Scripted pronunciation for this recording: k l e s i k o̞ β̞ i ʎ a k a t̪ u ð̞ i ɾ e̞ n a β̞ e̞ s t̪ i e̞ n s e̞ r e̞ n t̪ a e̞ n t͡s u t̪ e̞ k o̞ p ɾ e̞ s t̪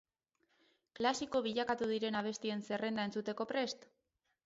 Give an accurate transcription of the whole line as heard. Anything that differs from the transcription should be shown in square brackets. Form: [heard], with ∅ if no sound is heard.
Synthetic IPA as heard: k l [a] s i k o̞ β̞ i ʎ a k a t̪ u ð̞ i ɾ e̞ n a β̞ e̞ s t̪ i e̞ n s e̞ r e̞ n [d̪] a e̞ n t͡s u t̪ e̞ k o̞ p ɾ e̞ s t̪